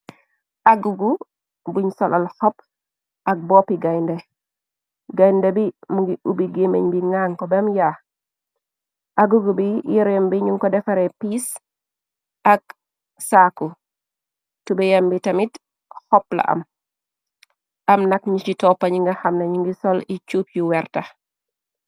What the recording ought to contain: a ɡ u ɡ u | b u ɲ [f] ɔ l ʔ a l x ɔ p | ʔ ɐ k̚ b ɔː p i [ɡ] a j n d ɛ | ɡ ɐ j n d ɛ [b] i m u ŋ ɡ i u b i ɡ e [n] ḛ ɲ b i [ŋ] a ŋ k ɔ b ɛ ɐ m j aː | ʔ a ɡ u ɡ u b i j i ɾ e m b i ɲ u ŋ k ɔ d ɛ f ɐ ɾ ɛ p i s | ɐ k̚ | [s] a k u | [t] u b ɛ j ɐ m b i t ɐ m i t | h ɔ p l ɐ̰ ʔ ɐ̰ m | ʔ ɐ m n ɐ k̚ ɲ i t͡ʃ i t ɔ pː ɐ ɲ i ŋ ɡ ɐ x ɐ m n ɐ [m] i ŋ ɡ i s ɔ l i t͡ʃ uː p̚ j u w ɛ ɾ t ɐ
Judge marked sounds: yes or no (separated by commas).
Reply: no, yes, yes, no, yes, yes, yes, no